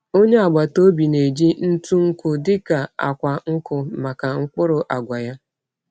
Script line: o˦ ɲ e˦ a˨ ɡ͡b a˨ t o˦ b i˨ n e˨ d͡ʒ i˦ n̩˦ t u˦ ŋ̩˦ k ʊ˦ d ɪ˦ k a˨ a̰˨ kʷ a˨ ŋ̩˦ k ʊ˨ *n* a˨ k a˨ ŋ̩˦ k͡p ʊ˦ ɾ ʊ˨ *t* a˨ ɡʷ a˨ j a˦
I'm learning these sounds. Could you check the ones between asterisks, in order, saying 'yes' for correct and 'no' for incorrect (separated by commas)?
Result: no, no